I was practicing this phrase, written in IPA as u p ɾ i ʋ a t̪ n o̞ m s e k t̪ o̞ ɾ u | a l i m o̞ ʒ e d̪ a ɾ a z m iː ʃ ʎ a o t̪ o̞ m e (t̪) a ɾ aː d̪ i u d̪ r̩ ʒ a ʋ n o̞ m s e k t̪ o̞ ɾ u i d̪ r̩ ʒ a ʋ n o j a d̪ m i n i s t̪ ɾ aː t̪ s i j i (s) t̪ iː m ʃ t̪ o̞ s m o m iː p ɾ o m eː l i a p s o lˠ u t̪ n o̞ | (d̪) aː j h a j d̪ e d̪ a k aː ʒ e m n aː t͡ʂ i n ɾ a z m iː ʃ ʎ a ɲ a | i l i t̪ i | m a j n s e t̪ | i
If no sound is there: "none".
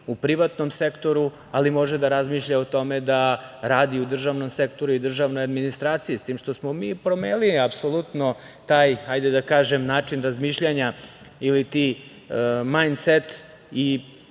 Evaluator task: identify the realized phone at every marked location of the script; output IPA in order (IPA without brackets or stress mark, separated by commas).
d̪, s, t̪